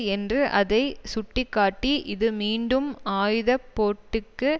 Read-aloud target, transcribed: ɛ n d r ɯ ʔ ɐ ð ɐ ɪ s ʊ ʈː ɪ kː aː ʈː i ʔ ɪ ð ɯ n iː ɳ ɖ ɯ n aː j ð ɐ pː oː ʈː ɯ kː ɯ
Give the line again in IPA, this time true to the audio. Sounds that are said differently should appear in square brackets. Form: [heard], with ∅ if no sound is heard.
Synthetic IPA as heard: ɛ n d r ɯ ʔ ɐ ð ɐ ɪ s ʊ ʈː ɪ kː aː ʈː i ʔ ɪ ð ɯ [m] iː ɳ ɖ ɯ [m] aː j ð ɐ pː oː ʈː ɯ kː ɯ

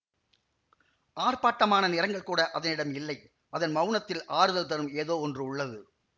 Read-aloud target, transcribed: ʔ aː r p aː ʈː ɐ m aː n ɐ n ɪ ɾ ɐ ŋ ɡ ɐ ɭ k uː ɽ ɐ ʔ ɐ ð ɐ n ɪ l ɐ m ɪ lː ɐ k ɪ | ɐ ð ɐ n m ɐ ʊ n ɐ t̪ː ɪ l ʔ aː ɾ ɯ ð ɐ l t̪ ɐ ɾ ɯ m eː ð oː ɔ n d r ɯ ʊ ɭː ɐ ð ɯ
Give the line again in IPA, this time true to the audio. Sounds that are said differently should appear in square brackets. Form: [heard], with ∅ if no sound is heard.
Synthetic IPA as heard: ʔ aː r p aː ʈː ɐ m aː n ɐ n ɪ ɾ ɐ ŋ ɡ ɐ ɭ k uː ɽ ɐ ʔ ɐ ð ɐ n ɪ [ɽ] ɐ m ɪ lː ɐ [∅] ɪ | ɐ ð ɐ n m ɐ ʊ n ɐ t̪ː ɪ l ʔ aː ɾ ɯ ð ɐ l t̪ ɐ ɾ ɯ m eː ð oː ɔ n d r ɯ ʊ ɭː ɐ ð ɯ

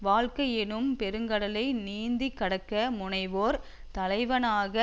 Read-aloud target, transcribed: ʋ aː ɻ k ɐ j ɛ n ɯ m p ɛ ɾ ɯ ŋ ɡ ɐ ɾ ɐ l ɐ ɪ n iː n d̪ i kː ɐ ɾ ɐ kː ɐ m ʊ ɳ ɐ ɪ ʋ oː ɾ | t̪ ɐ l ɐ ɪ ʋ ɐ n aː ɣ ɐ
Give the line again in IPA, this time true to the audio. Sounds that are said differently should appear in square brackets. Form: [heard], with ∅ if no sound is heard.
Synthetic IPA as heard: ʋ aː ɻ k ɐ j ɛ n ɯ m p ɛ ɾ ɯ ŋ ɡ ɐ [ɽ] ɐ l ɐ ɪ n iː n d̪ i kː ɐ [ɽ] ɐ kː ɐ m ʊ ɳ ɐ ɪ ʋ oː ɾ | t̪ ɐ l ɐ ɪ ʋ ɐ n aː ɣ ɐ

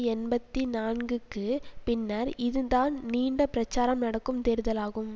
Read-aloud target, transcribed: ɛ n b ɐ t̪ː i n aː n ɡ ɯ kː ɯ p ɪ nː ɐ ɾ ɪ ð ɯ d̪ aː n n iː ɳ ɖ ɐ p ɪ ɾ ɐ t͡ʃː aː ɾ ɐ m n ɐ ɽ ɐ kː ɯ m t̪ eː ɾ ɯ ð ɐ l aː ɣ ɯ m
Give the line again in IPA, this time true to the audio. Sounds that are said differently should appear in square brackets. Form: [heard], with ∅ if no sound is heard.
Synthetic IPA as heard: ɛ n b ɐ t̪ː i n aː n ɡ ɯ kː ɯ p ɪ nː ɐ ɾ ɪ ð ɯ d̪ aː n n iː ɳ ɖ ɐ p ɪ ɾ ɐ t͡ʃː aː ɾ ɐ m n ɐ ɽ ɐ kː ɯ m t̪ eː ɾ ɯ ð ɐ l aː ɣ ɯ m

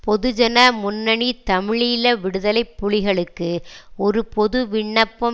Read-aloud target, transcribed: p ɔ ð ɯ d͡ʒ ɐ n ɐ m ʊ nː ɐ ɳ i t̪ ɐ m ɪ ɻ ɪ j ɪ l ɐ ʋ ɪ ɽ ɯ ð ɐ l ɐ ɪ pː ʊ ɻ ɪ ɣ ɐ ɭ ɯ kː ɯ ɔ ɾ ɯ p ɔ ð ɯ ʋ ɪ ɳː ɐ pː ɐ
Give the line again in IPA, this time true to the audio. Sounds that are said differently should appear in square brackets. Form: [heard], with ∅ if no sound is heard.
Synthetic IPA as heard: p ɔ ð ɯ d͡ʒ ɐ n ɐ m ʊ nː ɐ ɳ i t̪ ɐ m ɪ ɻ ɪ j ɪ l ɐ ʋ ɪ ɽ ɯ ð ɐ l ɐ ɪ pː ʊ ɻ ɪ ɣ ɐ ɭ ɯ kː ɯ ɔ ɾ ɯ p ɔ ð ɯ ʋ ɪ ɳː ɐ pː ɐ

